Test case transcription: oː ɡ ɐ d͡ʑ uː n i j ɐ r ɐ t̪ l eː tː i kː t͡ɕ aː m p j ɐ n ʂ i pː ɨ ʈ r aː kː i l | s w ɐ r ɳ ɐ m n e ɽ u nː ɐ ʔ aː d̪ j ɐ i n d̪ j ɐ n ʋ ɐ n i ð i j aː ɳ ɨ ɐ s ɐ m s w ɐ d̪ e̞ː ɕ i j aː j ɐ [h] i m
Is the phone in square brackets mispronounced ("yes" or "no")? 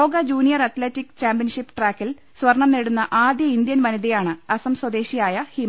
no